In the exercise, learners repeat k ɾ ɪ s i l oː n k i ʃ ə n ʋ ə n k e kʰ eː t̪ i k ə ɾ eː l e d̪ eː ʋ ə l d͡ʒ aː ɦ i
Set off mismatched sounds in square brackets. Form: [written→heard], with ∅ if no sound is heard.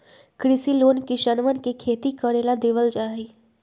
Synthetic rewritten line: k ɾ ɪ s i l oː n k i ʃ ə n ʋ ə n k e kʰ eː t̪ i k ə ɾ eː l [e→a] d̪ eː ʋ ə l d͡ʒ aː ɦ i